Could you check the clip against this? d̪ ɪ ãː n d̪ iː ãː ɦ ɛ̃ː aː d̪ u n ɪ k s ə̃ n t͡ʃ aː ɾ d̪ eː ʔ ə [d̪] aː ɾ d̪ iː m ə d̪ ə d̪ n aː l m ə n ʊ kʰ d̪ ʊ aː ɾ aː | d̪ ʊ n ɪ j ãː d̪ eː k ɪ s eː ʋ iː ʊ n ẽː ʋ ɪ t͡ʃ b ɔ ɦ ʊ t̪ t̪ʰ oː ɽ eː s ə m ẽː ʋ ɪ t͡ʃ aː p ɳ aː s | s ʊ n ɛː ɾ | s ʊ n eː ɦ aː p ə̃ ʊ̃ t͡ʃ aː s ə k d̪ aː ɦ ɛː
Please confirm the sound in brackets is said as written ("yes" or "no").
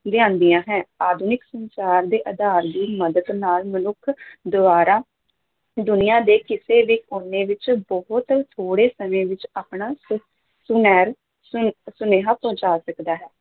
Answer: yes